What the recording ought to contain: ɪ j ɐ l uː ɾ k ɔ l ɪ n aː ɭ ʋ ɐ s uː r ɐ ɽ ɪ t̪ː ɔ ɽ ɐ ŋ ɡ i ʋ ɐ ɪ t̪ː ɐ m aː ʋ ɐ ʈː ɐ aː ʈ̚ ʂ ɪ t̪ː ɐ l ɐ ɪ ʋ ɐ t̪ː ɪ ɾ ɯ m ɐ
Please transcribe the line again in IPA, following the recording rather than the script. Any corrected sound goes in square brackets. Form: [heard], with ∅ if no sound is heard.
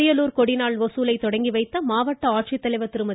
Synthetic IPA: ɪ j ɐ l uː ɾ k ɔ [ɽ] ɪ n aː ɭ ʋ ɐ s uː [l] ɐ [∅] ɪ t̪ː ɔ ɽ ɐ ŋ ɡ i ʋ ɐ ɪ t̪ː ɐ m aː ʋ ɐ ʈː ɐ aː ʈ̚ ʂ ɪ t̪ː ɐ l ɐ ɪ ʋ ɐ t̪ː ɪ ɾ ɯ m ɐ

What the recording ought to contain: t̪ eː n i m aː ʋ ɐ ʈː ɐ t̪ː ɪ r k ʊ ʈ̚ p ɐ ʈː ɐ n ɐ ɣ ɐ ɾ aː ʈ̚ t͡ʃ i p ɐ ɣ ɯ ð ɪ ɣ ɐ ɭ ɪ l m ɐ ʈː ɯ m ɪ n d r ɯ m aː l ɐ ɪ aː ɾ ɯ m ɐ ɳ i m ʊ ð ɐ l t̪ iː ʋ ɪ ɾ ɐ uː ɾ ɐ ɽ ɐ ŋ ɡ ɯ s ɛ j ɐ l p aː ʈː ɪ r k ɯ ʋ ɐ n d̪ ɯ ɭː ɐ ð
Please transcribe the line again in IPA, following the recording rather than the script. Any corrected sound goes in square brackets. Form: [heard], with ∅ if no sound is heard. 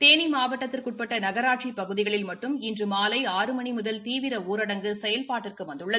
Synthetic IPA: t̪ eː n i m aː ʋ ɐ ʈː ɐ t̪ː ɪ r k ʊ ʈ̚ p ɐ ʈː ɐ n ɐ ɣ ɐ ɾ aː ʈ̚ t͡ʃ i p ɐ ɣ ɯ ð ɪ ɣ ɐ ɭ ɪ l m ɐ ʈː ɯ m ɪ n d r ɯ m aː l ɐ ɪ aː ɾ ɯ m ɐ ɳ i m ʊ ð ɐ l t̪ iː ʋ ɪ ɾ ɐ uː ɾ ɐ ɽ ɐ ŋ ɡ ɯ s ɛ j ɐ l p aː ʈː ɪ r k ɯ ʋ ɐ n d̪ ɯ ɭː ɐ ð

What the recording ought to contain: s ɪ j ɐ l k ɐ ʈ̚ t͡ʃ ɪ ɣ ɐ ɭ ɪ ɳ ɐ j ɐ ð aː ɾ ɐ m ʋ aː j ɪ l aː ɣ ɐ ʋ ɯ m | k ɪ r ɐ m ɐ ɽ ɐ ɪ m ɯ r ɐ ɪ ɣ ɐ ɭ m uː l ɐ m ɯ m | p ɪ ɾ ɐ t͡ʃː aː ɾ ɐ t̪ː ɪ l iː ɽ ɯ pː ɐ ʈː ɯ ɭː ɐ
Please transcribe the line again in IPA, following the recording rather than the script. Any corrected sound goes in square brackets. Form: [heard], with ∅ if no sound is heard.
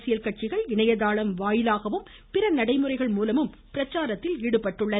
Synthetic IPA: s ɪ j ɐ l k ɐ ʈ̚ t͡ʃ ɪ ɣ ɐ ɭ ɪ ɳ ɐ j ɐ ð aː [ɭ] ɐ m ʋ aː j ɪ l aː ɣ ɐ ʋ ɯ m | [p] ɪ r ɐ [n] ɐ ɽ ɐ ɪ m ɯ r ɐ ɪ ɣ ɐ ɭ m uː l ɐ m ɯ m | p ɪ ɾ ɐ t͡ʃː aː ɾ ɐ t̪ː ɪ l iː ɽ ɯ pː ɐ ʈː ɯ ɭː ɐ

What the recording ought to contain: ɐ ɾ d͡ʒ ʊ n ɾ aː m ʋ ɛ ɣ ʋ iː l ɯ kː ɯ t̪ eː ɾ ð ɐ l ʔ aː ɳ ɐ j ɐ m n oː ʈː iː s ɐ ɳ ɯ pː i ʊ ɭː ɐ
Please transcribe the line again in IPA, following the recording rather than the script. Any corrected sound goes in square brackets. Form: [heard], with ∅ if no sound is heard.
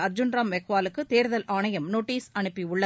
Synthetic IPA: ɐ ɾ d͡ʒ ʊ n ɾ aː m ʋ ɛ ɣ ʋ [aː] l ɯ kː ɯ t̪ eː ɾ ð ɐ l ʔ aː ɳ ɐ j ɐ m n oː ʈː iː s ɐ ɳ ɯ pː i ʊ ɭː ɐ

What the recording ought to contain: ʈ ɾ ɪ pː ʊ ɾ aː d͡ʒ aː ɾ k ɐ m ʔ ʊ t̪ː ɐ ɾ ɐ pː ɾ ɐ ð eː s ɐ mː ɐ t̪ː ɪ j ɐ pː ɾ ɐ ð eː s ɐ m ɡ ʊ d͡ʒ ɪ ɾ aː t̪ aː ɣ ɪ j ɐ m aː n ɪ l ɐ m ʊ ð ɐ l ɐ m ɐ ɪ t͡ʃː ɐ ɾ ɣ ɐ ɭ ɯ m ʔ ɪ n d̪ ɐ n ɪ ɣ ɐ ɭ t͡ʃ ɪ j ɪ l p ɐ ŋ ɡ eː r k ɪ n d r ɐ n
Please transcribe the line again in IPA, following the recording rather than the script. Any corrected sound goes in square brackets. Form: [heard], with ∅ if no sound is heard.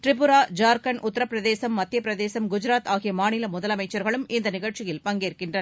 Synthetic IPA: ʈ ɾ ɪ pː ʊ ɾ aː d͡ʒ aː ɾ k ɐ [n] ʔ ʊ t̪ː ɐ ɾ ɐ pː ɾ ɐ ð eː s ɐ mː ɐ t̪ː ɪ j ɐ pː ɾ ɐ ð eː s ɐ m ɡ ʊ d͡ʒ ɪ ɾ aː t̪ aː ɣ ɪ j ɐ m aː n ɪ l ɐ m ʊ ð ɐ l ɐ m ɐ ɪ t͡ʃː ɐ ɾ ɣ ɐ ɭ ɯ m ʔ ɪ n d̪ ɐ n ɪ ɣ ɐ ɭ t͡ʃ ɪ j ɪ l p ɐ ŋ ɡ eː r k ɪ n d r ɐ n

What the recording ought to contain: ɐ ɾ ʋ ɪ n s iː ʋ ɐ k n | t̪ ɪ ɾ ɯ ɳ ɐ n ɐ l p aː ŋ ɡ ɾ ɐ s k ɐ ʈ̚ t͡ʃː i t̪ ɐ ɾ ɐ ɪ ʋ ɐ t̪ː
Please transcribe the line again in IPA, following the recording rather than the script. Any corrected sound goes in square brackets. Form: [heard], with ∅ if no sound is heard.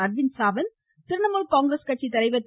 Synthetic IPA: ɐ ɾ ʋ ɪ n s [aː] ʋ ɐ [∅] n | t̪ ɪ ɾ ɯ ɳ ɐ [m] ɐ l [k] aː ŋ ɡ ɾ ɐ s k ɐ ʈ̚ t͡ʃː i t̪ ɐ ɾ ɐ ɪ ʋ ɐ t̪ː

